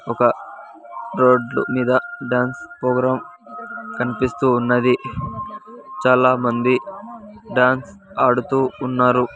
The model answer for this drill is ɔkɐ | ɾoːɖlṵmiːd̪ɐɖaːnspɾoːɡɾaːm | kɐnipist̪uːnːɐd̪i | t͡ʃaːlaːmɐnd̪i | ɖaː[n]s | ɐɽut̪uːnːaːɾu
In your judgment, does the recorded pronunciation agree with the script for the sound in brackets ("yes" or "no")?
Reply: yes